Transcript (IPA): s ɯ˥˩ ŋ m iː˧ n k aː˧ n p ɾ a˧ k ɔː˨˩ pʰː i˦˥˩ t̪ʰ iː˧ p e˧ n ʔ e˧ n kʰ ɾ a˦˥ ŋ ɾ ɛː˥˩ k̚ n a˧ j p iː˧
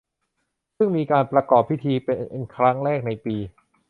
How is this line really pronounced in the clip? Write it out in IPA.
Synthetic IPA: s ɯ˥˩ ŋ m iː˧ k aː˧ n p ɾ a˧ k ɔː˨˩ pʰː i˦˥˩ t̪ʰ iː˧ p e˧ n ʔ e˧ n kʰ ɾ a˦˥ ŋ ɾ ɛː˥˩ k̚ n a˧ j p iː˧